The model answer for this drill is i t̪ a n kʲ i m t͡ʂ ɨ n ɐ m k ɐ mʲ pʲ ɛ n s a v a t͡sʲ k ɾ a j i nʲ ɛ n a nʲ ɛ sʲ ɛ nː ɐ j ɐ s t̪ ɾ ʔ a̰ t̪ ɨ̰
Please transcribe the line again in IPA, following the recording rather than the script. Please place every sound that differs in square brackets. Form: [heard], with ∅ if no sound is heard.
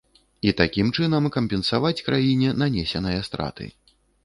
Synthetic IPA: i t̪ a [∅] kʲ i m t͡ʂ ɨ n ɐ m k ɐ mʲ pʲ ɛ n s a v a t͡sʲ k ɾ a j i nʲ ɛ n a nʲ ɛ sʲ ɛ [n] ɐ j ɐ s t̪ ɾ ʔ a̰ t̪ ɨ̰